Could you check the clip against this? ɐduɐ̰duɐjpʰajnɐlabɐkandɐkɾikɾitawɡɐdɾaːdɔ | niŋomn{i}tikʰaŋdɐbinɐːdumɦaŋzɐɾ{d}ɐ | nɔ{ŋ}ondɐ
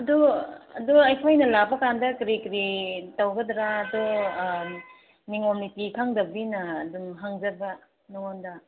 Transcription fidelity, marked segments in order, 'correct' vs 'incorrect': correct, incorrect: b, correct

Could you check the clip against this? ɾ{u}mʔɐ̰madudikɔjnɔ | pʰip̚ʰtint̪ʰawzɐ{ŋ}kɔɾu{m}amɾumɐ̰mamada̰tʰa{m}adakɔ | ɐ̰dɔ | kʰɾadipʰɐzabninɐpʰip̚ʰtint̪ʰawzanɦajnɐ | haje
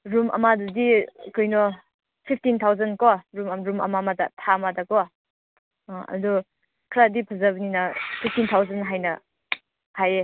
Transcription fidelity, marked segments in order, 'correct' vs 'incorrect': correct, incorrect: n, correct, correct

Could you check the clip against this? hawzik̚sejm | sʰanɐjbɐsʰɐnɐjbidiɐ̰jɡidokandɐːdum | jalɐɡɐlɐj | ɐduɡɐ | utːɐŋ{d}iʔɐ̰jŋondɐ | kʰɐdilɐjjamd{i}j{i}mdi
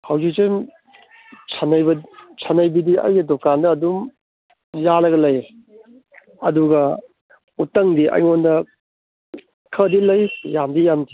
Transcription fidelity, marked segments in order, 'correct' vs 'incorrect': correct, correct, incorrect: a

